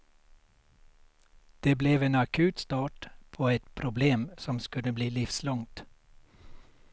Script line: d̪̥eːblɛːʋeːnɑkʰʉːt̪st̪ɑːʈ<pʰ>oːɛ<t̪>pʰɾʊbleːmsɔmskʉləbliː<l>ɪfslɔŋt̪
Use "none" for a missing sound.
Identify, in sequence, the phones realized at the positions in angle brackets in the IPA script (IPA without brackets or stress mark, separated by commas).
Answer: pʰ, t̪, l